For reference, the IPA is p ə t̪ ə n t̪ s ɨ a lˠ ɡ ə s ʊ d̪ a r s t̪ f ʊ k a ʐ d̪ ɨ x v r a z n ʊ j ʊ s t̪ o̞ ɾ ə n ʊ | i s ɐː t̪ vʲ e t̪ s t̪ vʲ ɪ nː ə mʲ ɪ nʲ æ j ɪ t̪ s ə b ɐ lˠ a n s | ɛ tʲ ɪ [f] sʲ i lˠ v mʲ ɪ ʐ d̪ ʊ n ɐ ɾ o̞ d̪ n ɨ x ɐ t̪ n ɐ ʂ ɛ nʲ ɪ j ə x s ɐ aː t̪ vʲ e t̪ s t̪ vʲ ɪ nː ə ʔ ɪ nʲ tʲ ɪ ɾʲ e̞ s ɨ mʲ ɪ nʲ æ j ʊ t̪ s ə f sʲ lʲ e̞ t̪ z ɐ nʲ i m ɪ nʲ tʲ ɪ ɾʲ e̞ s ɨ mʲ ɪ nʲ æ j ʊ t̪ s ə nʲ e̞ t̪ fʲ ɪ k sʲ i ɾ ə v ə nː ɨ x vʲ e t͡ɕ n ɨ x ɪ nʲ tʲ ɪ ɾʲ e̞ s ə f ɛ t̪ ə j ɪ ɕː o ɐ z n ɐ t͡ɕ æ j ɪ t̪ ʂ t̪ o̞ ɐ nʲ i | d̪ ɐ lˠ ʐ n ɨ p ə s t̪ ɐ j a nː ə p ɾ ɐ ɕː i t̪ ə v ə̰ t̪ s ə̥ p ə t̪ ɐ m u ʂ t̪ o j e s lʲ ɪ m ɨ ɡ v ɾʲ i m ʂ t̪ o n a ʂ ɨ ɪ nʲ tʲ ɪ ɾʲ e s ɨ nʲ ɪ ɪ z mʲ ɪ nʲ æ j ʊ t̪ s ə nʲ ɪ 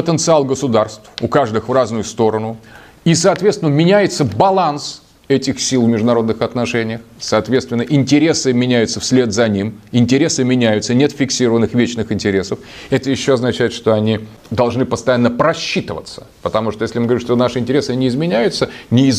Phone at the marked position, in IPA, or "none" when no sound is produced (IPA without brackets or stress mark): x